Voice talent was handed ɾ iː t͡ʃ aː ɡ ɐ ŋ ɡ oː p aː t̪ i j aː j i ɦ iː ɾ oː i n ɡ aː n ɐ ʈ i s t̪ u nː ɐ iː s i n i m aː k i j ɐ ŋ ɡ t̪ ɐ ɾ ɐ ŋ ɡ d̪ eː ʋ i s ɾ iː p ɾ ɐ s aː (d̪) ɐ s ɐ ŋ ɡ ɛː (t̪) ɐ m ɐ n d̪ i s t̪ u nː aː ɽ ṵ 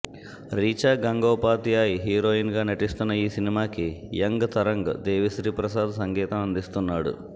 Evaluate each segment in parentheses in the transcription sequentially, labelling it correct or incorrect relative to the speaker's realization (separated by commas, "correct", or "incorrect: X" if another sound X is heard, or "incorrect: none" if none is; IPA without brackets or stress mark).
correct, correct